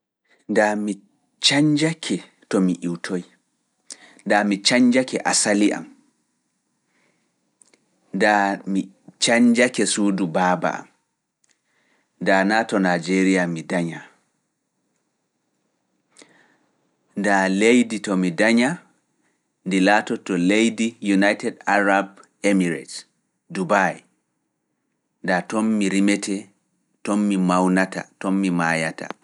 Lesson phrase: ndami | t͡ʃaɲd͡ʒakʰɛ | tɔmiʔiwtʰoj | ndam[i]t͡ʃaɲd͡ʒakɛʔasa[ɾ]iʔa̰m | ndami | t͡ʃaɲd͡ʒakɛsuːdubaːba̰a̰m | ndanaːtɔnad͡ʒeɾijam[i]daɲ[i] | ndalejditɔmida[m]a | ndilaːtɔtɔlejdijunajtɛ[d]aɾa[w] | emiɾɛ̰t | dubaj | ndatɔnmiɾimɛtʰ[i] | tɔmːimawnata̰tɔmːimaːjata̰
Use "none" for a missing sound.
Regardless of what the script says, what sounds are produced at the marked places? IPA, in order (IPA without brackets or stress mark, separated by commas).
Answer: i, l, i, a, ɲ, d, b, ɛ